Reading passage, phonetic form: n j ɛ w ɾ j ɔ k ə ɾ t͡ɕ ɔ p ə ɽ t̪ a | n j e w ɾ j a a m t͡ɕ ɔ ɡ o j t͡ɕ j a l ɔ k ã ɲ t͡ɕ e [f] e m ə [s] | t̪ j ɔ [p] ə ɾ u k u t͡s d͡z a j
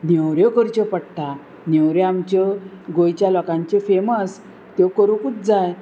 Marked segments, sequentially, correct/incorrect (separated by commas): correct, correct, incorrect